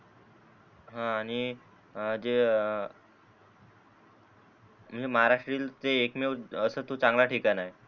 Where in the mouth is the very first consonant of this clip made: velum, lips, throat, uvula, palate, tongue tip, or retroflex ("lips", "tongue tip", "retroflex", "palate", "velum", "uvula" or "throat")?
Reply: throat